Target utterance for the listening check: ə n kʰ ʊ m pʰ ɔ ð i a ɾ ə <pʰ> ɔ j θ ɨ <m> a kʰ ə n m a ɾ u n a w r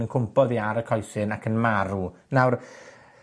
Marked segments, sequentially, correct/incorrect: incorrect, incorrect

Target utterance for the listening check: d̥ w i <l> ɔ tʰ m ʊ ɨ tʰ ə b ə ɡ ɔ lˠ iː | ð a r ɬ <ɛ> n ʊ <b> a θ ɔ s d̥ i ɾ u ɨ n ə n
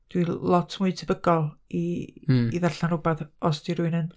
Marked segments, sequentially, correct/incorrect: correct, incorrect, correct

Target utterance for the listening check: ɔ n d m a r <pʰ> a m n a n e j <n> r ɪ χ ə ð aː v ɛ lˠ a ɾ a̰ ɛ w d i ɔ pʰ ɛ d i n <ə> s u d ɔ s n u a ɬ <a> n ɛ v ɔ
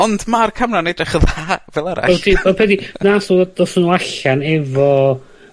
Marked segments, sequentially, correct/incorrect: incorrect, incorrect, incorrect, correct

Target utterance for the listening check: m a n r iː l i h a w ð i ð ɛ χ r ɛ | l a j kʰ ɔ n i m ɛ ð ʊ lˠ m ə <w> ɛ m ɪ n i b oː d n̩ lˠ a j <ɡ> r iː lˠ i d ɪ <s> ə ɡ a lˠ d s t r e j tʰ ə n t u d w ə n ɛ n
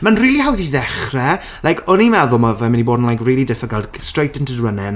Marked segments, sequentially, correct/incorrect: incorrect, incorrect, incorrect

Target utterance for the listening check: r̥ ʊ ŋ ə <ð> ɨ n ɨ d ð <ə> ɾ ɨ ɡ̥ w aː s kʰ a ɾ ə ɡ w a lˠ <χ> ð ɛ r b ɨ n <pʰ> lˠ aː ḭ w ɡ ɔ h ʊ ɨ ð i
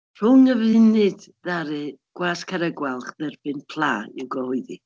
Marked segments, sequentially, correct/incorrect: incorrect, incorrect, correct, correct

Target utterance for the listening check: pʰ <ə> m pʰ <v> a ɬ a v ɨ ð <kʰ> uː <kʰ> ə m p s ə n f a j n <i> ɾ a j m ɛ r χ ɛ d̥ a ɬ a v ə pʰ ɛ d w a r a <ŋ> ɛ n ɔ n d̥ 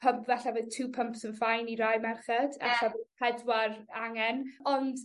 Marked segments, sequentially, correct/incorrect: correct, correct, incorrect, incorrect, correct, correct

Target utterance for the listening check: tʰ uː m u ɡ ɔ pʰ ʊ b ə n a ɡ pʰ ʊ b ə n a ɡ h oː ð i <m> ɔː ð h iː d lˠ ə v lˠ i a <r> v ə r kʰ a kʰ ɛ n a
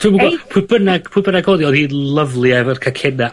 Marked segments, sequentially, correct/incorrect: incorrect, incorrect

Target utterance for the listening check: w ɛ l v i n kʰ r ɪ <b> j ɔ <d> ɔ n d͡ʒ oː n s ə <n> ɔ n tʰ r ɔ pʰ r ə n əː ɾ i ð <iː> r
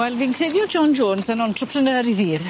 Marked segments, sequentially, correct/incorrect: incorrect, incorrect, correct, correct

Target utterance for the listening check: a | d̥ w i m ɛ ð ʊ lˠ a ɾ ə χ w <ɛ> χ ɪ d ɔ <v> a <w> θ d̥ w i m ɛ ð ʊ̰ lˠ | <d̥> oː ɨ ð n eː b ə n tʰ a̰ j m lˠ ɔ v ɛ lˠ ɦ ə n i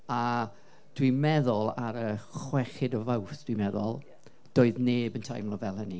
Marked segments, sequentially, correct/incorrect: correct, correct, correct, correct

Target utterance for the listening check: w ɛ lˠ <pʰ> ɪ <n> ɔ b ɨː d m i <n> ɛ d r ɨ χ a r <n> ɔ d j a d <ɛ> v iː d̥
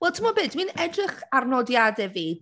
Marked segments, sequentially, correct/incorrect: incorrect, incorrect, correct, correct, correct

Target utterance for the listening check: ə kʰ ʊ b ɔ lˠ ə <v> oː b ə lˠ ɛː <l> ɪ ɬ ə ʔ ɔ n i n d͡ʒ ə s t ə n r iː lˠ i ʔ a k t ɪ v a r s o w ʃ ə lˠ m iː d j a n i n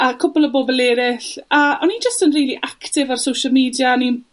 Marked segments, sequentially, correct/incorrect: incorrect, incorrect

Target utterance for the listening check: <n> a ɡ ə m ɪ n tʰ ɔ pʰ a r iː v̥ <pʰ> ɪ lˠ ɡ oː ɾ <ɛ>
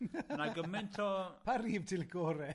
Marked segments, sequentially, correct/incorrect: correct, incorrect, correct

